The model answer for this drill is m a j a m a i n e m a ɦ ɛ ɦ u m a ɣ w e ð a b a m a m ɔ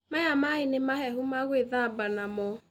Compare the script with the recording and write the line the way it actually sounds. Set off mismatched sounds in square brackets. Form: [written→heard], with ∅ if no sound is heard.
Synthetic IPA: m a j a m a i n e m a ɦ ɛ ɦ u m a ɣ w e ð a b a [m→n] a m ɔ